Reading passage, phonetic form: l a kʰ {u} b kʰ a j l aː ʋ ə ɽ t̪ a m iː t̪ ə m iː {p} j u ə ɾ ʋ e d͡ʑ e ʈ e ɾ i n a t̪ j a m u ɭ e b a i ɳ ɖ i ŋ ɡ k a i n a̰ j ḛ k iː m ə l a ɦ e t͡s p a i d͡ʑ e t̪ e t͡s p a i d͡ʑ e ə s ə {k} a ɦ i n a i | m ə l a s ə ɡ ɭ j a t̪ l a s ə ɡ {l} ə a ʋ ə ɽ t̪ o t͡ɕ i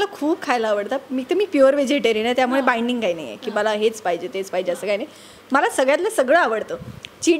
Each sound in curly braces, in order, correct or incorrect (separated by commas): incorrect, correct, correct, incorrect